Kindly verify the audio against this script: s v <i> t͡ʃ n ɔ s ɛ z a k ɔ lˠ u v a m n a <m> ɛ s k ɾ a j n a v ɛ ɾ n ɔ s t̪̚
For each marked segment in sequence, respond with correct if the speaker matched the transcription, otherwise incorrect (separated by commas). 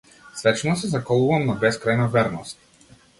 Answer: incorrect, incorrect